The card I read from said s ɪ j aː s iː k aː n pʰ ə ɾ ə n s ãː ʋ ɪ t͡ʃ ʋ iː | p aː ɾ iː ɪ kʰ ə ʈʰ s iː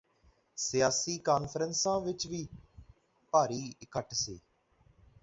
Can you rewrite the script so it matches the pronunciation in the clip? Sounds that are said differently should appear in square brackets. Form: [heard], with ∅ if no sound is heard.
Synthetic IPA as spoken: s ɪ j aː s iː k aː n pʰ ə ɾ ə n s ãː ʋ ɪ t͡ʃ ʋ iː | p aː ɾ iː ɪ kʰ ə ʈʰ s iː